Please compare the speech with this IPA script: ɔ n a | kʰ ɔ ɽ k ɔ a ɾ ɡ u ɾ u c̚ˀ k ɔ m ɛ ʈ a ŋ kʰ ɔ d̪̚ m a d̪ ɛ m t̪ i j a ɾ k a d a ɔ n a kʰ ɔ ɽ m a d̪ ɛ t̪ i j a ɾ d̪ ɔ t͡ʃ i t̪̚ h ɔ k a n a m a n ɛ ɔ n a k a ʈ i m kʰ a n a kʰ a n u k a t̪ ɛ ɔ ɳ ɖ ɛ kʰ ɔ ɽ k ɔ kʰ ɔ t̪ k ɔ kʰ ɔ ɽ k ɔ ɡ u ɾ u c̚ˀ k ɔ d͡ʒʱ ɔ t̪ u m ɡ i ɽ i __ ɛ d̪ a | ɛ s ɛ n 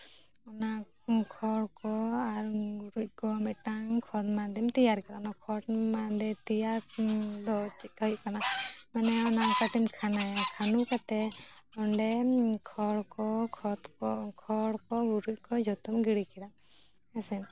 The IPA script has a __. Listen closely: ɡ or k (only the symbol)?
k